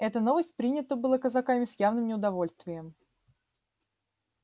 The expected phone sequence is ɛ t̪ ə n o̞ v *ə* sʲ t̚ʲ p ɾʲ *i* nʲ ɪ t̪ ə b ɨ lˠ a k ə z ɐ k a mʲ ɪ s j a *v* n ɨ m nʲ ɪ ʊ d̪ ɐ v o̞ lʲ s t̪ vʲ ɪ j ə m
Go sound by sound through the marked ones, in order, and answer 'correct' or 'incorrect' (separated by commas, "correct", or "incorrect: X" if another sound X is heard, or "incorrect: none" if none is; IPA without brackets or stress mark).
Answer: correct, correct, correct